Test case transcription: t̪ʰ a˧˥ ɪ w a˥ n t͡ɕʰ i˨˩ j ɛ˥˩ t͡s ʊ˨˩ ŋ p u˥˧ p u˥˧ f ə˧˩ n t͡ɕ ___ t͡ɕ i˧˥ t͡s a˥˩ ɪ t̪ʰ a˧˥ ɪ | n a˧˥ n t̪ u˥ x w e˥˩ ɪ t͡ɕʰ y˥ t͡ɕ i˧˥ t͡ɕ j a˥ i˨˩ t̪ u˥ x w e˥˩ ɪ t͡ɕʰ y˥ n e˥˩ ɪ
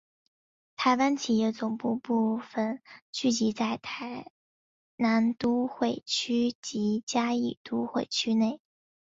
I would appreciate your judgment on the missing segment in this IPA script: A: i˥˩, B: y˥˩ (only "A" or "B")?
B